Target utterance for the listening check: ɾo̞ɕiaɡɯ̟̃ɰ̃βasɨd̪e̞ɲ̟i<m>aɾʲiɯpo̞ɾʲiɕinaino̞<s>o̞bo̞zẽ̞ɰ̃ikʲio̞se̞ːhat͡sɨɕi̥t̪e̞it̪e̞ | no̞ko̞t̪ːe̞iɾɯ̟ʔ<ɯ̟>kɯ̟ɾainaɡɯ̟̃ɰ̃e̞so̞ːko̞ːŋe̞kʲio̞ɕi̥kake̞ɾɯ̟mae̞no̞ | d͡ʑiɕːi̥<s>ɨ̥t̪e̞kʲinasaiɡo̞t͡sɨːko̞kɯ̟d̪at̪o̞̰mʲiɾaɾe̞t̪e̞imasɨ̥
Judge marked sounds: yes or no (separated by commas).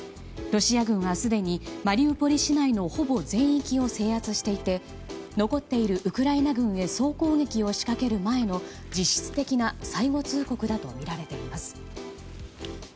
yes, no, yes, no